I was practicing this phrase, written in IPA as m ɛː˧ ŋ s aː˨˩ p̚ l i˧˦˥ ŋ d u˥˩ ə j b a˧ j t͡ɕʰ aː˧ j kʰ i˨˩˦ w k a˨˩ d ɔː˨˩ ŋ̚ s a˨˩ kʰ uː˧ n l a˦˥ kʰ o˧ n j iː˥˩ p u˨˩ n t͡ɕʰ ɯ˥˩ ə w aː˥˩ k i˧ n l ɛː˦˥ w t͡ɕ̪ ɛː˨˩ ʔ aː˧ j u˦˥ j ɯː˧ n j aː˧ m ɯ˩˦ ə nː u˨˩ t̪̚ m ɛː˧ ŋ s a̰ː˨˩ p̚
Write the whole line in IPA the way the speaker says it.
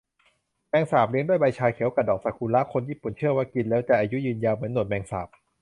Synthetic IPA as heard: m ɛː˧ ŋ s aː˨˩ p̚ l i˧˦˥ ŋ d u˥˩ ə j b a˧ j t͡ɕʰ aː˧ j kʰ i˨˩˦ w k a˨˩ d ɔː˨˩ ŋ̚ s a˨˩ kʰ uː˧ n l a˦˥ kʰ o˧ n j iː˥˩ p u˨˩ n t͡ɕʰ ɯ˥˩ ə w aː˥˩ k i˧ n l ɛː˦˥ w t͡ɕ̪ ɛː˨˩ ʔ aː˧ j u˦˥ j ɯː˧ n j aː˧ m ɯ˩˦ ə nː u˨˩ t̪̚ m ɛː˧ ŋ s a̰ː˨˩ p̚